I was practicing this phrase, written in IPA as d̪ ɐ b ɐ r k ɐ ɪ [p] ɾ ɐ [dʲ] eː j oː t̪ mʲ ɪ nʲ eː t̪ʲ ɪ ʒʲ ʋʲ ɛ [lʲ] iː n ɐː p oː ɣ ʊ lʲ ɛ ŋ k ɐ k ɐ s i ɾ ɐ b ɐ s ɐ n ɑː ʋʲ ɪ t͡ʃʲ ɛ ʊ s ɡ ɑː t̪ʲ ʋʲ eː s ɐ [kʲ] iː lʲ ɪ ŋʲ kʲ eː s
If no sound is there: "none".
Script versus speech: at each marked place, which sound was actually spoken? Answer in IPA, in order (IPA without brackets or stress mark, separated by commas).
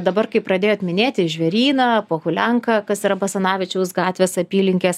p, dʲ, ɾʲ, pʲ